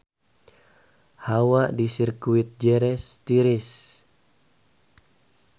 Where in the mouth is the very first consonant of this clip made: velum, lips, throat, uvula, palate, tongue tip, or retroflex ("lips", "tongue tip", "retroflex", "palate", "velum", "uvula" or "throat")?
throat